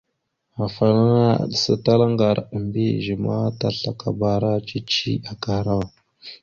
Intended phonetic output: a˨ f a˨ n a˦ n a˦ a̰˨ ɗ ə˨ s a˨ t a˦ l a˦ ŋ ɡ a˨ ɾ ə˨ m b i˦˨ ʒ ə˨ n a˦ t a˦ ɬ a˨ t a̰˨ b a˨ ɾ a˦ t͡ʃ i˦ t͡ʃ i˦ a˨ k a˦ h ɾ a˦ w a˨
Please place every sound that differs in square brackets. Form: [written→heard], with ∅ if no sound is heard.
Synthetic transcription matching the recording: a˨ f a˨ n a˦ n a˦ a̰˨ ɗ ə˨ s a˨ t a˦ l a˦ ŋ ɡ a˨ ɾ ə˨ m b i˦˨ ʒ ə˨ [n→m] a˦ t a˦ ɬ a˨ [t→k] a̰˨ b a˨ ɾ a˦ t͡ʃ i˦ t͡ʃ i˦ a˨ k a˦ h ɾ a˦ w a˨